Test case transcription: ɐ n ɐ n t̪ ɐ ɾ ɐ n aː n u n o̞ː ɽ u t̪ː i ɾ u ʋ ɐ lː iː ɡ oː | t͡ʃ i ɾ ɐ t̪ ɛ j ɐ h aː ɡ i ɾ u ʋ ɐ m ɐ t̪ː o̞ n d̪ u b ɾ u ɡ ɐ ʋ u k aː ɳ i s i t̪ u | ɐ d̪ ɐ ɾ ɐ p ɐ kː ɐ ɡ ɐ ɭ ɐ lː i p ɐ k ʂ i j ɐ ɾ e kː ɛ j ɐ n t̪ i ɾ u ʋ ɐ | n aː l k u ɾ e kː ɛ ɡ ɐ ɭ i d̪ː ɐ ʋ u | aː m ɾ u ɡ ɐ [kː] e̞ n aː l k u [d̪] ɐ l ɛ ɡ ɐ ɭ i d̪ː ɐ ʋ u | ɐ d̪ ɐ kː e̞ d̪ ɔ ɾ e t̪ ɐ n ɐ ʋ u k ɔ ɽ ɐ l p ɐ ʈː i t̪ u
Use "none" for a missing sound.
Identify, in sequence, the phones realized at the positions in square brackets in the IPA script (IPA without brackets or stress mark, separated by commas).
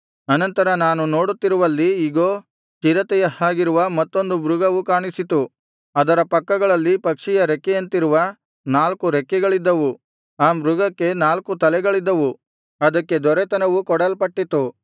kː, t̪